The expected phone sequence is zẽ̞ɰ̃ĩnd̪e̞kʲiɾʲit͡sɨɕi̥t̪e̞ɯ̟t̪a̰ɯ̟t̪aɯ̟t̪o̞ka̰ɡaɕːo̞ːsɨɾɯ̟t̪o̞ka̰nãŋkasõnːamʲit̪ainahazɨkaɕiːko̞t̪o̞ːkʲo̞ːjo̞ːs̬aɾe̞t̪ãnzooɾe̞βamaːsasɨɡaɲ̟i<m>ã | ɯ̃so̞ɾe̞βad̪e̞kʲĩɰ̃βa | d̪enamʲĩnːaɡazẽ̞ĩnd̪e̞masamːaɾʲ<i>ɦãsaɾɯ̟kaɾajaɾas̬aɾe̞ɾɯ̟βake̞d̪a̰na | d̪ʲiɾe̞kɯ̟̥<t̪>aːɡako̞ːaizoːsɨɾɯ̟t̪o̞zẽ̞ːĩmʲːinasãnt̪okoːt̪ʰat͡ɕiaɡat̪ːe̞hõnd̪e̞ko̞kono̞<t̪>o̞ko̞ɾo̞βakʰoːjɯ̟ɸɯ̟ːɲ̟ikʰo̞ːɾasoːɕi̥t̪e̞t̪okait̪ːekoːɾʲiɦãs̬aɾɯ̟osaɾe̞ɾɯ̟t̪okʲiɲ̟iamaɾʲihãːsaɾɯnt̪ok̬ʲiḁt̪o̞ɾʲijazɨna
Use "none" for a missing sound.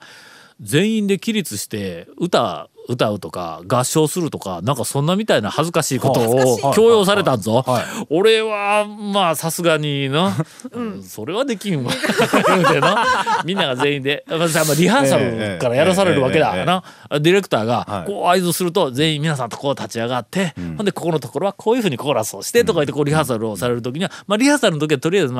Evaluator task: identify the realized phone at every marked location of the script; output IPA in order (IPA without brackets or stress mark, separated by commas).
n, i, t̪, t̪